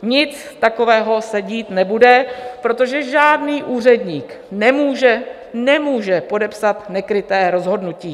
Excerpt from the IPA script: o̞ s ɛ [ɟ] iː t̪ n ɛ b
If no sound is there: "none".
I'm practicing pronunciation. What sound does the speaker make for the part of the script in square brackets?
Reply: ɟ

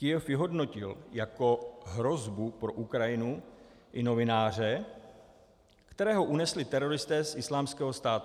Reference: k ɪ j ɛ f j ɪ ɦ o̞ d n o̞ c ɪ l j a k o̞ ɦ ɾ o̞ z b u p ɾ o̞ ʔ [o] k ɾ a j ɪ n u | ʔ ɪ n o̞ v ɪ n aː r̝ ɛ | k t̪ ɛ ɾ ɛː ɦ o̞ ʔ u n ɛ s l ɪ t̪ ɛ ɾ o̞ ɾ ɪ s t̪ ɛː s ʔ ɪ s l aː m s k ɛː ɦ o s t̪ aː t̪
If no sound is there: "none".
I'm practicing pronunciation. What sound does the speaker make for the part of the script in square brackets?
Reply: u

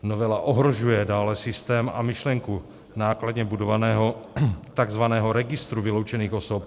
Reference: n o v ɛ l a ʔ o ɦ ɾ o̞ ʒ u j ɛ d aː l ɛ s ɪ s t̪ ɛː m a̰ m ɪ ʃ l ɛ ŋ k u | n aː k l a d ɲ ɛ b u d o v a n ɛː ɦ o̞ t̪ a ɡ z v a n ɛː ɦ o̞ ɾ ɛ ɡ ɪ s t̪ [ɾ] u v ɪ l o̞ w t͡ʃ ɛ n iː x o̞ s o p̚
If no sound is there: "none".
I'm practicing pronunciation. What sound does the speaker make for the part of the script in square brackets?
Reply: ɾ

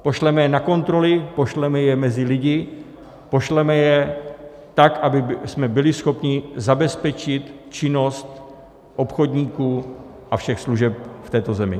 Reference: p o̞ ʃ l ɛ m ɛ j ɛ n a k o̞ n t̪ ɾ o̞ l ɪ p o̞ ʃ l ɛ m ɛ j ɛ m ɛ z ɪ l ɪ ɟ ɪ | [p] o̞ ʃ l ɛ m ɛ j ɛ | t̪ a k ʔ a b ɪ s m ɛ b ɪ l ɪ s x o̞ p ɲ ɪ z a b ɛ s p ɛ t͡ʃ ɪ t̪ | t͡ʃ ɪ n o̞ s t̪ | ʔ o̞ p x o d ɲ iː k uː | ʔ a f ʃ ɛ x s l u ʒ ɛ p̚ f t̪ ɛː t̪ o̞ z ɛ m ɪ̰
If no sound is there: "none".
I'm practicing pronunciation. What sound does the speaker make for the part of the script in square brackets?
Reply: p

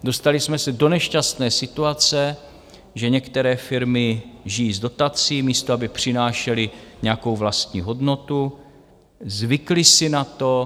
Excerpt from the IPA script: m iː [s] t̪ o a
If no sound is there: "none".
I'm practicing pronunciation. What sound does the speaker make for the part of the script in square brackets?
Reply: s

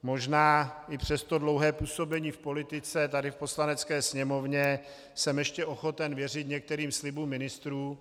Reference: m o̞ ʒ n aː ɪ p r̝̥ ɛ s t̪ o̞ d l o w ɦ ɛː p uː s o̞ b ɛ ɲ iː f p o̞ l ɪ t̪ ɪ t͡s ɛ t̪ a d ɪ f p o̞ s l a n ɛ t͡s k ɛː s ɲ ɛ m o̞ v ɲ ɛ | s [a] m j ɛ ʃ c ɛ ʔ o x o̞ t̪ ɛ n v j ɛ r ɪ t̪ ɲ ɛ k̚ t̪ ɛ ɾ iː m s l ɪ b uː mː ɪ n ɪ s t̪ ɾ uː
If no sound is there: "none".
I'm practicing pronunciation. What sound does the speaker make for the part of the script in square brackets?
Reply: ɛ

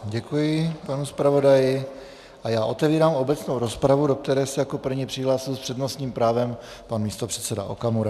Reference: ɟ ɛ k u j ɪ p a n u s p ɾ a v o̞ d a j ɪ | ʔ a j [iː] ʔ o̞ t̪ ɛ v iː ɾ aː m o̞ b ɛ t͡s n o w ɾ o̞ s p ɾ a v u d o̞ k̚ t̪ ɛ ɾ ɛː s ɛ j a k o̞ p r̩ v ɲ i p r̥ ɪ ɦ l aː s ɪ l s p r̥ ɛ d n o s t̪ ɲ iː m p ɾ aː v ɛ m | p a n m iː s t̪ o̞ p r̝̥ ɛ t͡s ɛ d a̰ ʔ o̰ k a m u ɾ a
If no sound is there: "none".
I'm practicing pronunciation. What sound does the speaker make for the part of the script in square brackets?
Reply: aː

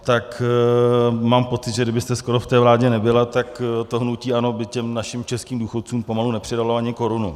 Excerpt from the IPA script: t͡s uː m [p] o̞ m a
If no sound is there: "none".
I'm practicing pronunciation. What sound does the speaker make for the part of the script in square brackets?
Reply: p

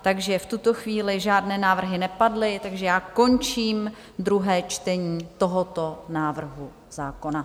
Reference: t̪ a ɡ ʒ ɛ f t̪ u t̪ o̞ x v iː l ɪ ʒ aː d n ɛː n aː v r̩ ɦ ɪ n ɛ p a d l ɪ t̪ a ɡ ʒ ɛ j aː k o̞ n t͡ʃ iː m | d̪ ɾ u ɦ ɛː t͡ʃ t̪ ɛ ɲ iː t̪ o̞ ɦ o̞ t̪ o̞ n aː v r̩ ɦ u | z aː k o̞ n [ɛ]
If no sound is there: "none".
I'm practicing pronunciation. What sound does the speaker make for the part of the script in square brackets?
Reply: a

